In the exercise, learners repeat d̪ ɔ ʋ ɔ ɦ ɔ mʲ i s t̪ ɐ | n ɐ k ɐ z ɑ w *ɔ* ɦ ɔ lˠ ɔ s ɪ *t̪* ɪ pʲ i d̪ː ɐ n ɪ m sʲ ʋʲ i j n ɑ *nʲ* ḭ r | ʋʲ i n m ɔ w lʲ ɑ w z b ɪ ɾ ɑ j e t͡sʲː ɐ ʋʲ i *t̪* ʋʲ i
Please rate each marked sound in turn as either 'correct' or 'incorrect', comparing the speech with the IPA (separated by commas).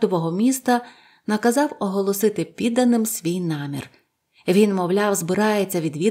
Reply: correct, correct, incorrect, incorrect